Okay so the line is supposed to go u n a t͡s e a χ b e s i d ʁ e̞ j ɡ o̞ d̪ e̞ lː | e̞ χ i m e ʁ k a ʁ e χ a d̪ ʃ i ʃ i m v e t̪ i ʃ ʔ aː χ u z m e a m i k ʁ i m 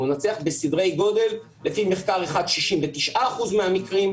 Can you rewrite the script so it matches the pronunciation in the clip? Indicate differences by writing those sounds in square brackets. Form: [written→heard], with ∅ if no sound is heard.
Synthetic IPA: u n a t͡s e a χ b e s i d ʁ e̞ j ɡ o̞ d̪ e̞ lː | e̞ [χ→f] i m e [ʁ→χ] k a ʁ e χ a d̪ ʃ i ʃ i m v e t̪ i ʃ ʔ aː χ u z m e a m i k ʁ i m